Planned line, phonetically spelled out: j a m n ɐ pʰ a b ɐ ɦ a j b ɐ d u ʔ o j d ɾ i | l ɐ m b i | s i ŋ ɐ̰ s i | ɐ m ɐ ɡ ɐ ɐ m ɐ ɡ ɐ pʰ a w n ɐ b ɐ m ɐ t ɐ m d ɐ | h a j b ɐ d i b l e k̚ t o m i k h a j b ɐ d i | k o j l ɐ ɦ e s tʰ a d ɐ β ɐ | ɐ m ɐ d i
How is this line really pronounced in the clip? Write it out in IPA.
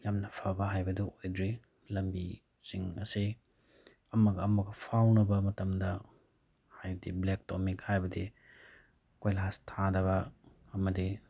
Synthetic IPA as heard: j a m n ɐ pʰ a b ɐ ɦ a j b ɐ d u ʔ o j d ɾ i | l ɐ m b i | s i ŋ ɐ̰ s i | ɐ m ɐ ɡ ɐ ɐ m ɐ ɡ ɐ pʰ a w n ɐ b ɐ m ɐ t ɐ m d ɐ | h a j b ɐ d i b l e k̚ t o m i k h a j b ɐ d i | k o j l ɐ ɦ a s tʰ a d ɐ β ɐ | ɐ m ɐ d i